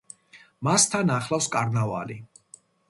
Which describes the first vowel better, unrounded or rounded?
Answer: unrounded